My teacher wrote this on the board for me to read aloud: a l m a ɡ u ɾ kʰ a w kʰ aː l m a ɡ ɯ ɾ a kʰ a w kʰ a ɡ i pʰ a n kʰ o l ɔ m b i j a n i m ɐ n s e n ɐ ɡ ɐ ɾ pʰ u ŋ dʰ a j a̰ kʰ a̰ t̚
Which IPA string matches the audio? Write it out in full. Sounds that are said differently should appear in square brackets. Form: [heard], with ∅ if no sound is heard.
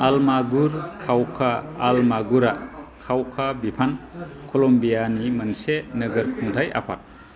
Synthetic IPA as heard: a l m a ɡ u ɾ kʰ a w kʰ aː l m a ɡ [u] ɾ a kʰ a w kʰ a [b] i pʰ a n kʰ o l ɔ m b i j a n i m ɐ n s e n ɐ ɡ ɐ ɾ [kʰ] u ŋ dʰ a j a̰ [pʰ] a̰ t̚